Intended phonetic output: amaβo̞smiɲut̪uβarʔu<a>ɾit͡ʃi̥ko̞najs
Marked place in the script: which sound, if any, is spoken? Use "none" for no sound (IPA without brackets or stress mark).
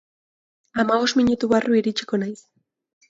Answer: i